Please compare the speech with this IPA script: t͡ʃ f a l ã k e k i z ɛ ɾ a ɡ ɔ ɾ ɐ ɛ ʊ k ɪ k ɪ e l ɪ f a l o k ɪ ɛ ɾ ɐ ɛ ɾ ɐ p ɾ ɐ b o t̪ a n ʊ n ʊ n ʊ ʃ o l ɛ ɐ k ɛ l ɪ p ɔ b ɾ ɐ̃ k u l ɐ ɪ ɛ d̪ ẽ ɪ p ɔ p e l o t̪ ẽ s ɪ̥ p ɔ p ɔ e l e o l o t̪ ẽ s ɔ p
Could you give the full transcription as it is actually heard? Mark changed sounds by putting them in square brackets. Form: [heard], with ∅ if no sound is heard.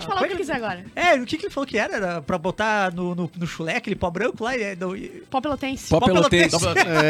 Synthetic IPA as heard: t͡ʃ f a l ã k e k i z ɛ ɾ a ɡ ɔ ɾ ɐ ɛ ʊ k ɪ k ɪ e l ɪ f a l o k ɪ ɛ ɾ ɐ ɛ ɾ ɐ p ɾ ɐ b o t̪ a n ʊ n ʊ n ʊ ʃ [u] l ɛ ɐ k [e] l ɪ p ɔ b ɾ ɐ̃ k [ʊ] l [a] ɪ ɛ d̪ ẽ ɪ p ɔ p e l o t̪ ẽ s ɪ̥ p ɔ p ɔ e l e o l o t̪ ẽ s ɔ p